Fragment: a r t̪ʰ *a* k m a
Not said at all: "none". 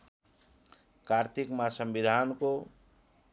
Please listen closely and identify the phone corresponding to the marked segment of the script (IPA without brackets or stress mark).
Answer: i